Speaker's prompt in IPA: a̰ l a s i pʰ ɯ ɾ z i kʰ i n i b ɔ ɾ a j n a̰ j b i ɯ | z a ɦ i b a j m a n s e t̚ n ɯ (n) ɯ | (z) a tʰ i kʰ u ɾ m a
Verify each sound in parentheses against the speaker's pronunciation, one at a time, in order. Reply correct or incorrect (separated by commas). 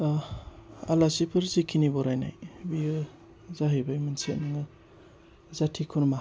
incorrect, correct